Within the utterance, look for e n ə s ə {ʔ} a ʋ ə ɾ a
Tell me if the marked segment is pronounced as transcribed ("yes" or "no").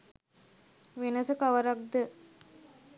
no